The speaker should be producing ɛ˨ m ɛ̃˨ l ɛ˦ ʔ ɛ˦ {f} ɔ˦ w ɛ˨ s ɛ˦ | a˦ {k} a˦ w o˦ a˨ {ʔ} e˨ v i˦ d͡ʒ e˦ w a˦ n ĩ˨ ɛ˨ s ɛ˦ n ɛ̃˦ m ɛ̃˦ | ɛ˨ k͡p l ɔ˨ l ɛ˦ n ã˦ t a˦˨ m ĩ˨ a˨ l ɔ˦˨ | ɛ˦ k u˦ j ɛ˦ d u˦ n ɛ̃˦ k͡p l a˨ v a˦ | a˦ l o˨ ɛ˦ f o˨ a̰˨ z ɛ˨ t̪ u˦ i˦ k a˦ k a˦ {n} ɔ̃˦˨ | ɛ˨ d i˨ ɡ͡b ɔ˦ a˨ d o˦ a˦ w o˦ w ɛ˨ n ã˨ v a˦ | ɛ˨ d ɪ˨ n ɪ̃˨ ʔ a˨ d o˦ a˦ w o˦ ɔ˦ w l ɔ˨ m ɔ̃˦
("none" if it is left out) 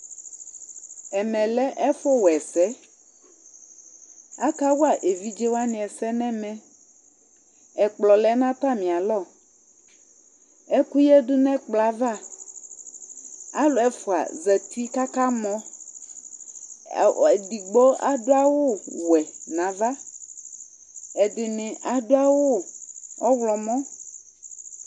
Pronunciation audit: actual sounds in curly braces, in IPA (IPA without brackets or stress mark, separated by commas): f, k, ʔ, m